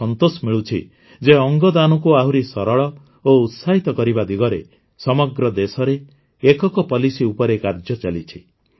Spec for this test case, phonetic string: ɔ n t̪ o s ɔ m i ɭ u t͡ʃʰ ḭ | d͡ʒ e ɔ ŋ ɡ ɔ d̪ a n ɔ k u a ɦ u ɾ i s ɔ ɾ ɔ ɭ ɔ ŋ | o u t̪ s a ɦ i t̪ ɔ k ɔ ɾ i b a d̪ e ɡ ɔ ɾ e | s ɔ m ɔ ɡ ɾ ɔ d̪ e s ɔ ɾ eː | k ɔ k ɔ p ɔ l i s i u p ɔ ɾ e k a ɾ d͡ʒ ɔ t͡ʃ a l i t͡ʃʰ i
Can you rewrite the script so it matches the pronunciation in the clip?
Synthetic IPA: ɔ n t̪ o s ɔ m i ɭ u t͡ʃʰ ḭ | d͡ʒ e ɔ ŋ ɡ ɔ d̪ a n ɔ k u a ɦ u ɾ i s ɔ ɾ ɔ ɭ ɔ | o u t̪ s a ɦ i t̪ ɔ k ɔ ɾ i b a d̪ i ɡ ɔ ɾ e | s ɔ m ɔ ɡ ɾ ɔ d̪ e s ɔ ɾ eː | k ɔ k ɔ p ɔ l i s i u p ɔ ɾ e k a ɾ d͡ʒ ɔ t͡ʃ a l i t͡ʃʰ i

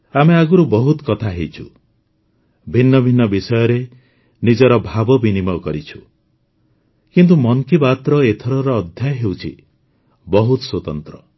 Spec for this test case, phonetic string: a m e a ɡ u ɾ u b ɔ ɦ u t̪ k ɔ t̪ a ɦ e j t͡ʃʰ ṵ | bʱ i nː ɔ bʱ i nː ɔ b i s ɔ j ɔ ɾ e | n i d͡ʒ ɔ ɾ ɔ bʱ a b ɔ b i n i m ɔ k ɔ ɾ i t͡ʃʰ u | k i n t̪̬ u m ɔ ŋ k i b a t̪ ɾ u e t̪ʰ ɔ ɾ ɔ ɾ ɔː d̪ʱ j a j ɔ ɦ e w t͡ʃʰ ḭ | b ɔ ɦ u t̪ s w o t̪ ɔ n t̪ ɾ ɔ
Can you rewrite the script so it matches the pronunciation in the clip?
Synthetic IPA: a m e a ɡ u ɾ u b ɔ ɦ u t̪ k ɔ t̪ʰ a ɦ e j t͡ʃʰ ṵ | bʱ i nː ɔ bʱ i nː ɔ b i s ɔ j ɔ ɾ e | n i d͡ʒ ɔ ɾ ɔ bʱ a b ɔ b i n i m ɔ k ɔ ɾ i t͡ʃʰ u | k i n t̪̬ u m ɔ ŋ k i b a t̪ ɾ ɔ e t̪ʰ ɔ ɾ ɔ ɾ ɔː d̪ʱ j a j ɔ ɦ e w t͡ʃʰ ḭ | b ɔ ɦ u t̪ s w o t̪ ɔ n t̪ ɾ ɔ

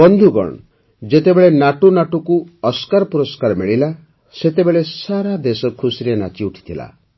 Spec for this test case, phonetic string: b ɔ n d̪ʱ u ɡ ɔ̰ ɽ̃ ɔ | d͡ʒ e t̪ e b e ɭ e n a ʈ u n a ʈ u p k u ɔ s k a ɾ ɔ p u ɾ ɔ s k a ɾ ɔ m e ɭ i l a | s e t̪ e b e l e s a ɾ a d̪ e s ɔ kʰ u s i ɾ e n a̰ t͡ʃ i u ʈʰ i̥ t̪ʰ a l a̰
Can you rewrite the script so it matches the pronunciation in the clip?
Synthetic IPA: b ɔ n d̪ʱ u ɡ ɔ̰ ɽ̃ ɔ | d͡ʒ e t̪ e b e ɭ e n a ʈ u n a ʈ u k u ɔ s k a ɾ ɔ p u ɾ ɔ s k a ɾ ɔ m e ɭ i l a | s e t̪ e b e ɭ e s a ɾ a d̪ e s ɔ kʰ u s i ɾ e n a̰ t͡ʃ i u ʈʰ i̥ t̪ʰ i l a̰

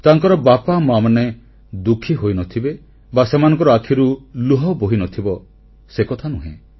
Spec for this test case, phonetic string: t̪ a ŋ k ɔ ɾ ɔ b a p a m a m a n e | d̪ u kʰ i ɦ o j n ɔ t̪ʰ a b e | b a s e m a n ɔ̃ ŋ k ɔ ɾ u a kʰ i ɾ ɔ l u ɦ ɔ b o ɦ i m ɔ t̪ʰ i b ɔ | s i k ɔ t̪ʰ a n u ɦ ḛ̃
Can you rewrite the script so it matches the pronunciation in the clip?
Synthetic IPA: t̪ a ŋ k ɔ ɾ ɔ b a p a m a m a n e | d̪ u kʰ i ɦ o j n ɔ t̪ʰ i b e | b a s e m a n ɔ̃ ŋ k ɔ ɾ ɔ a kʰ i ɾ u l u ɦ ɔ b o ɦ i n ɔ t̪ʰ i b ɔ | s e k ɔ t̪ʰ a n u ɦ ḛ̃

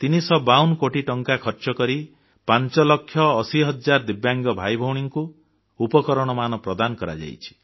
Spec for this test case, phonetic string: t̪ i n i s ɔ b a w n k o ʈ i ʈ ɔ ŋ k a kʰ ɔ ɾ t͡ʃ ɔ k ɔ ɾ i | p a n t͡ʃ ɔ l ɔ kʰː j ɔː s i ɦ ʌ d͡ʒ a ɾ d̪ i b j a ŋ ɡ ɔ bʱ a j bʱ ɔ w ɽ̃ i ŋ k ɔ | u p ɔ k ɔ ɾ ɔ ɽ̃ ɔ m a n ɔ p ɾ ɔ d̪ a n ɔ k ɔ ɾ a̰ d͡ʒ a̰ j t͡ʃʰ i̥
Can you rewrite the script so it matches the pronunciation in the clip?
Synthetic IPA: t̪ i n i s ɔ b a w n k o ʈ i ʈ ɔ ŋ k a kʰ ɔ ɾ t͡ʃ ɔ k ɔ ɾ i | p a n t͡ʃ ɔ l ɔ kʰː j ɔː s i ɦ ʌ d͡ʒ a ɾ d̪ i b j a ŋ ɡ ɔ bʱ a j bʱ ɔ w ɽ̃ i ŋ k u | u p ɔ k ɔ ɾ ɔ ɽ̃ ɔ m a n ɔ p ɾ ɔ d̪ a n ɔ k ɔ ɾ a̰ d͡ʒ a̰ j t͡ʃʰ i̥

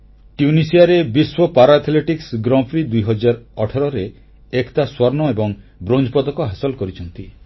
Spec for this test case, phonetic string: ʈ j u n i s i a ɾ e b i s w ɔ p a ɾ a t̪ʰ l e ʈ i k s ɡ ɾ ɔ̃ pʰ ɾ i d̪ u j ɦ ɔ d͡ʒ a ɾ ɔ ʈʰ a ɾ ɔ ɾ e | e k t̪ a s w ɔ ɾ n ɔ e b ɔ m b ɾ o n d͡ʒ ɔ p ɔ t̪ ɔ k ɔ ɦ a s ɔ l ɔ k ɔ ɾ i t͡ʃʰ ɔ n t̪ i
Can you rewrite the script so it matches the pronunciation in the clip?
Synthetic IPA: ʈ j u n i s i a ɾ e b i s w ɔ p a ɾ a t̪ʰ l e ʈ i k s ɡ ɾ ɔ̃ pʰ ɾ i d̪ u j ɦ ɔ d͡ʒ a ɾ ɔ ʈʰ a ɾ ɔ ɾ e | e k t̪ a s w ɔ ɾ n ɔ e b ɔ ŋ b ɾ o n d͡ʒ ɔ p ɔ d̪ ɔ k ɔ ɦ a s ɔ l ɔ k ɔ ɾ i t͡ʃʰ ɔ n t̪ i

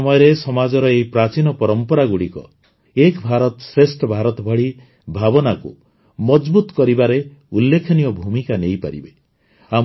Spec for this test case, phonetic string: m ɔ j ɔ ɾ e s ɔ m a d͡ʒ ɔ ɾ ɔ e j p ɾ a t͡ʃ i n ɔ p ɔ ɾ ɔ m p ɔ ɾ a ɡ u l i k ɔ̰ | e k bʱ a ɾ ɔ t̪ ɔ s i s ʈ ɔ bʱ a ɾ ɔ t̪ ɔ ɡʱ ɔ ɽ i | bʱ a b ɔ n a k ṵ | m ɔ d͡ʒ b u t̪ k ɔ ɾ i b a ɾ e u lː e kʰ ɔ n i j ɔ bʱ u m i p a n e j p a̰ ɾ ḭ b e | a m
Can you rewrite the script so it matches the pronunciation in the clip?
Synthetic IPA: m ɔ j ɔ ɾ e s ɔ m a d͡ʒ ɔ ɾ ɔ e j p ɾ a t͡ʃ i n ɔ p ɔ ɾ ɔ m p ɔ ɾ a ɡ u ɽ i k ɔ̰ | e k bʱ a ɾ ɔ t̪ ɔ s e s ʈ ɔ bʱ a ɾ ɔ t̪ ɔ bʱ ɔ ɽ i | bʱ a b ɔ n a k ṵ | m ɔ d͡ʒ b u t̪ k ɔ ɾ i b a ɾ e u lː e kʰ ɔ n i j ɔ bʱ u m i k a n e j p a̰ ɾ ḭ b e | a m

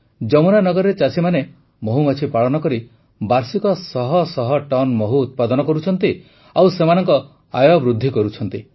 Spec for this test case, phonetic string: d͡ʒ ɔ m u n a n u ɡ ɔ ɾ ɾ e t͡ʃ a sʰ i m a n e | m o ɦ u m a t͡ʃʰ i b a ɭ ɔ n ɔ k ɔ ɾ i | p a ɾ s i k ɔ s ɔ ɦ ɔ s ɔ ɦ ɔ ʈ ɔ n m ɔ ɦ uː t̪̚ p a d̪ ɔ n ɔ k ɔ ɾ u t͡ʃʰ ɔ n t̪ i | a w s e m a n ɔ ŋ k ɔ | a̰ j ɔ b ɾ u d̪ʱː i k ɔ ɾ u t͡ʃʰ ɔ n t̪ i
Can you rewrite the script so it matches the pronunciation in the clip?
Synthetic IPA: d͡ʒ ɔ m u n a n ɔ ɡ ɔ ɾ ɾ e t͡ʃ a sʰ i m a n e | m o ɦ u m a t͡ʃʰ i p a ɭ ɔ n ɔ k ɔ ɾ i | b a ɾ s i k ɔ s ɔ ɦ ɔ s ɔ ɦ ɔ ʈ ɔ n m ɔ ɦ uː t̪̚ p a d̪ ɔ n ɔ k ɔ ɾ u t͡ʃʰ ɔ n t̪ i | a w s e m a n ɔ ŋ k ɔ | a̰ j ɔ b ɾ u d̪ʱː i k ɔ ɾ u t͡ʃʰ ɔ n t̪ i

